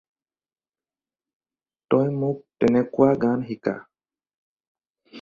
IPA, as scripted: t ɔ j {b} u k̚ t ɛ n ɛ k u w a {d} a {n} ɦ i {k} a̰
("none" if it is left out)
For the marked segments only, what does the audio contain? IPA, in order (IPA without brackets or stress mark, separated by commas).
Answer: m, ɡ, n, k